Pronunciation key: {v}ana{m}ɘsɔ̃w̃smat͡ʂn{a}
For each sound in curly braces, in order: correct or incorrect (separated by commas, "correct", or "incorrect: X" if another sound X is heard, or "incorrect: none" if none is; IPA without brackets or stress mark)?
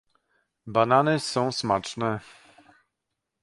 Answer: incorrect: b, incorrect: n, incorrect: ɛ